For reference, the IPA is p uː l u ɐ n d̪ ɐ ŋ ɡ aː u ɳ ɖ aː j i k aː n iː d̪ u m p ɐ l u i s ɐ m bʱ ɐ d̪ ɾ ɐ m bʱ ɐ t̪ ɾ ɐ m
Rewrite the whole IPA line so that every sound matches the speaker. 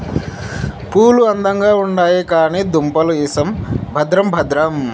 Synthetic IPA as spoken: p uː l u ɐ n d̪ ɐ ŋ ɡ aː u ɳ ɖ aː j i k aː n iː d̪ u m p ɐ l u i s ɐ m bʱ ɐ d̪ ɾ ɐ m bʱ ɐ d̪ ɾ ɐ m